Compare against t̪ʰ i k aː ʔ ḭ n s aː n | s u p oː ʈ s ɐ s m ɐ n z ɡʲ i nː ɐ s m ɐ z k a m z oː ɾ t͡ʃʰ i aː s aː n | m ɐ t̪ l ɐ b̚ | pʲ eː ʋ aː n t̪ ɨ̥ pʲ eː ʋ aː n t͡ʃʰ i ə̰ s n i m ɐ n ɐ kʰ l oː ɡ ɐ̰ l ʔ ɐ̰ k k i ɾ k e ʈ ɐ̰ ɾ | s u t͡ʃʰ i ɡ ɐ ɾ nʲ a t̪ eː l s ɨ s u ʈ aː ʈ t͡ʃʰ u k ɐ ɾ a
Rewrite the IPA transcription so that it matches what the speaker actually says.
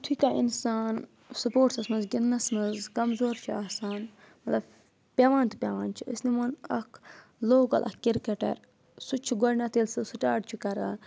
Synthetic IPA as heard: t̪ʰ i k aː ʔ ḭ n s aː n | s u p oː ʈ s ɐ s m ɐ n z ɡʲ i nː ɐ s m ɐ z k ɐ m z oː ɾ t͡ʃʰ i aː s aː n | m ɐ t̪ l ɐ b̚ | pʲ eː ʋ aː n t̪ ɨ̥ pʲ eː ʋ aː n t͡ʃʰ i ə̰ s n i m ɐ n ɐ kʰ l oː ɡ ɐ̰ l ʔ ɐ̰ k k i ɾ k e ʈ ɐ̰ ɾ | s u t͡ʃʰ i ɡ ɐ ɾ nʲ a t̪ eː l s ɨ s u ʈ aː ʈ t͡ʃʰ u k ɐ ɾ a